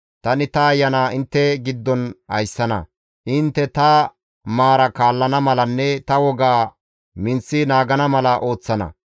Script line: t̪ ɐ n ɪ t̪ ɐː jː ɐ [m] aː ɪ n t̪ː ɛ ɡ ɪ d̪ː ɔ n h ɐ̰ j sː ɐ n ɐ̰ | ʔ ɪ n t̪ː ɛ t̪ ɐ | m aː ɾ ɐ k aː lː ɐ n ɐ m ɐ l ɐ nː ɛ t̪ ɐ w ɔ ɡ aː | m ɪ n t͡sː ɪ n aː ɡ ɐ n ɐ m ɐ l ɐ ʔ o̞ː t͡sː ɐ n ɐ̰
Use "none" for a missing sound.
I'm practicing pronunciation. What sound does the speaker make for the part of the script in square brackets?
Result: n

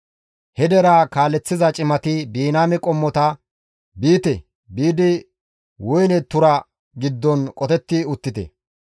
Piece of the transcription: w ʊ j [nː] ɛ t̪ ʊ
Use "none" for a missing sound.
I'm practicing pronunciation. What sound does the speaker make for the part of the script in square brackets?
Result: n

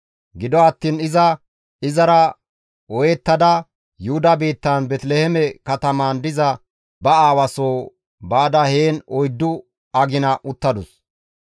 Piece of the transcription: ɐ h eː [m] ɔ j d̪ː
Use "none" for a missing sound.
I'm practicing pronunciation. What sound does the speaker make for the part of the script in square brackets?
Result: n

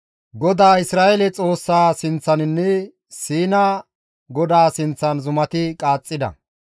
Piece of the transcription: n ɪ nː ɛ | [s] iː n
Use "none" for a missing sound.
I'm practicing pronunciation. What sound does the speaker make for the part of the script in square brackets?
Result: s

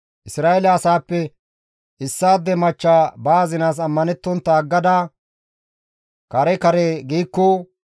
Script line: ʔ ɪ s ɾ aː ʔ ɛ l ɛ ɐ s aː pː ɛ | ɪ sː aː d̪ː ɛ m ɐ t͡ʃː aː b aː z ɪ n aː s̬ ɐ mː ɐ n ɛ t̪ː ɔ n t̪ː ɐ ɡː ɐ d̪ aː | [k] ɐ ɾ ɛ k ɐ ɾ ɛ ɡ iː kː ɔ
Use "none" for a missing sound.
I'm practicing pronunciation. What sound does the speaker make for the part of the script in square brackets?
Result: k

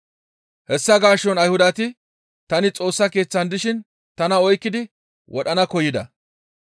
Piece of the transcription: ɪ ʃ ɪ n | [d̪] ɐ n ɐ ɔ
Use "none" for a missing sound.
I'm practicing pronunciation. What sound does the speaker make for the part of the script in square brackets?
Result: t̪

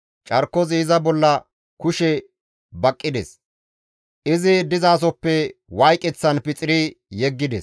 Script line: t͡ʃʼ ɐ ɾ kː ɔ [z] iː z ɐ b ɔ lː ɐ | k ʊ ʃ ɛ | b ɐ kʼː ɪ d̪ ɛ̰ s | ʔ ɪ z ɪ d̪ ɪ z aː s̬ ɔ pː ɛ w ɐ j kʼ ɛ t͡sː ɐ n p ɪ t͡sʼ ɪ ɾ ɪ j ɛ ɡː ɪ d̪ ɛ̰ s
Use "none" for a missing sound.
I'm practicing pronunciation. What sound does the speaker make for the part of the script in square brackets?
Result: z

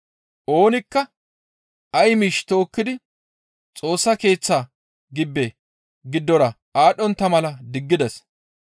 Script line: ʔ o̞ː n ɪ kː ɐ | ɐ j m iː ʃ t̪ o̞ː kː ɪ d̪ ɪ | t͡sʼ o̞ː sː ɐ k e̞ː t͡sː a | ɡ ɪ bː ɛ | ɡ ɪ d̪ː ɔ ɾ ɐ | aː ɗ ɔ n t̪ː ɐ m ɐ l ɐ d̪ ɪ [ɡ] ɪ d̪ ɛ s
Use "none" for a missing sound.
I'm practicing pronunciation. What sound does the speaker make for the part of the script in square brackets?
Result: ɡː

